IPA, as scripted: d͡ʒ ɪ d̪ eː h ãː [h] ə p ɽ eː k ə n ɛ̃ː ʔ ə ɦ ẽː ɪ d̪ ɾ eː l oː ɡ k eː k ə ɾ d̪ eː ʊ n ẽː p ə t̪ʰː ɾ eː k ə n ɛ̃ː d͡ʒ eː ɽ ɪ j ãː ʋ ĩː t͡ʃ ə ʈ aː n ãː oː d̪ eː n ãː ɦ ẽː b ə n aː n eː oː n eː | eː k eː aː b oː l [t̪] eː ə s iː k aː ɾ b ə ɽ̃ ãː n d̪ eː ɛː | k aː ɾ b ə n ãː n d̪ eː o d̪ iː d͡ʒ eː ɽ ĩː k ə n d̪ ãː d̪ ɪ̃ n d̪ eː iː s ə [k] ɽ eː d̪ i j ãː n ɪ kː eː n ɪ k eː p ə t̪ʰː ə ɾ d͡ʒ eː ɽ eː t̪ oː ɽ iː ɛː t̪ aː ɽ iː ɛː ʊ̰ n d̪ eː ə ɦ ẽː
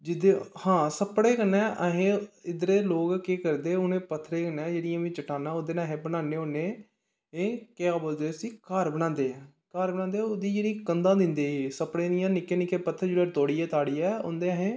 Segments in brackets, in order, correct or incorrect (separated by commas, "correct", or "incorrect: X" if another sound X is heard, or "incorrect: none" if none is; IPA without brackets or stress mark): incorrect: s, incorrect: d̪, incorrect: p